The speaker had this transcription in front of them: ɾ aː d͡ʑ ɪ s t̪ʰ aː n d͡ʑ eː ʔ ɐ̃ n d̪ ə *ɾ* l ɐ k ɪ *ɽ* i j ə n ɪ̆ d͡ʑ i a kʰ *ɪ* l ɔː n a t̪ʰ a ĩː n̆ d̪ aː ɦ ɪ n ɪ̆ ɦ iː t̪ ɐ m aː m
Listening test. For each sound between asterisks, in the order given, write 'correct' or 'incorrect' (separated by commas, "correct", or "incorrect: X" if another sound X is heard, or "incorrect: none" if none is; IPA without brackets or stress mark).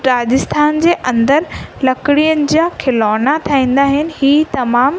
correct, correct, correct